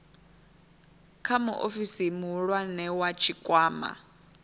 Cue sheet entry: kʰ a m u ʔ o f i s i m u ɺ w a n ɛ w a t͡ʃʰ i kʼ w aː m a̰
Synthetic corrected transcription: kʰ a m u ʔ o f i s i m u ɺ w a n ɛ w a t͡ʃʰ i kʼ w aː m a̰